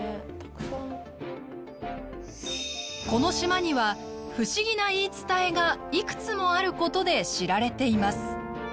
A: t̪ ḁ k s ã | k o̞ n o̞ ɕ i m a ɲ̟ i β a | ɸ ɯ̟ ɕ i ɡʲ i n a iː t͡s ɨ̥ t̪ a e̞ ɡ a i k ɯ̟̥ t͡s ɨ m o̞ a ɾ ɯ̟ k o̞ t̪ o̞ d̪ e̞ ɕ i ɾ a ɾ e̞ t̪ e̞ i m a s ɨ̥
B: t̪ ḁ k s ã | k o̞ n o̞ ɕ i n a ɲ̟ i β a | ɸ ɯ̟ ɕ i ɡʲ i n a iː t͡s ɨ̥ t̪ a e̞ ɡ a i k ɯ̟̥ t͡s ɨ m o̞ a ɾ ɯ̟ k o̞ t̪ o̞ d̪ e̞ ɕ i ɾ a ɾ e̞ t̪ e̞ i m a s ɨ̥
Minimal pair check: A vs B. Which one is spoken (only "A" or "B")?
A